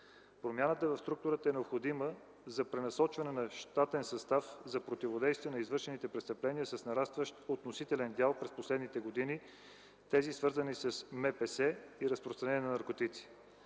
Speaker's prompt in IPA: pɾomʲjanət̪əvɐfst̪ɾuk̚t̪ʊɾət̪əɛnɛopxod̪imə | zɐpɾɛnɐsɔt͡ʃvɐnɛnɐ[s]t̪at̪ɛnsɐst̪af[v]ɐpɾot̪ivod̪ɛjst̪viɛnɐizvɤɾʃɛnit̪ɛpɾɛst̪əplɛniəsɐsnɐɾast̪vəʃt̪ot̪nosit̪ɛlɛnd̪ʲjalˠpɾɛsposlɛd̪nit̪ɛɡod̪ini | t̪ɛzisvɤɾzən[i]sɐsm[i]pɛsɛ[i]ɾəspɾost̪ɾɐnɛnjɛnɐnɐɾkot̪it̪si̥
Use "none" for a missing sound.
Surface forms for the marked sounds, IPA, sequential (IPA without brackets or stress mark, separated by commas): ʃ, z, i, ɛ, i